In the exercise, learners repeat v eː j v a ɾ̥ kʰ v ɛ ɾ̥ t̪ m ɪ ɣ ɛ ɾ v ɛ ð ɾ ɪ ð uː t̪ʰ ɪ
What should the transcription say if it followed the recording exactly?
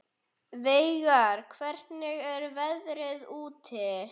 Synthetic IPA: v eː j ɣ a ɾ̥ kʰ v ɛ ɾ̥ t̪ n ɪ ɣ ɛ ɾ v ɛ ð ɾ ɪ ð uː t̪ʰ ɪ